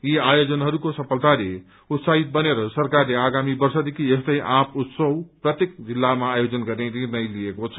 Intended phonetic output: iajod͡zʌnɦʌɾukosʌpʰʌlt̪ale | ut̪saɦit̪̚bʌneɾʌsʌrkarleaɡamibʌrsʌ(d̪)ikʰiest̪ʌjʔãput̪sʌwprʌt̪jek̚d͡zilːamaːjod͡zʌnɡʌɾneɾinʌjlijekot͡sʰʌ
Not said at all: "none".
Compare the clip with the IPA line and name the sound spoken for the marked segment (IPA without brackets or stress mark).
d̪